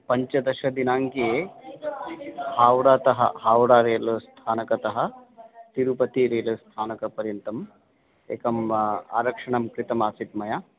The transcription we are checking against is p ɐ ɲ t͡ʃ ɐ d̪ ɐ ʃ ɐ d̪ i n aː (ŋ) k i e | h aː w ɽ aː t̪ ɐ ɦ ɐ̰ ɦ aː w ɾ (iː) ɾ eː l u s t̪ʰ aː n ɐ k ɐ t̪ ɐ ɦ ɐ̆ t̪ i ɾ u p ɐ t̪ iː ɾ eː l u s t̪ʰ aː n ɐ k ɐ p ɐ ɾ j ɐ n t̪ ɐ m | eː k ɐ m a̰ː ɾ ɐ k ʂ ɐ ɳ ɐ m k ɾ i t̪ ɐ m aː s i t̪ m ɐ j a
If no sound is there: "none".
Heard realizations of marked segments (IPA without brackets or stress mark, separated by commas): ŋ, aː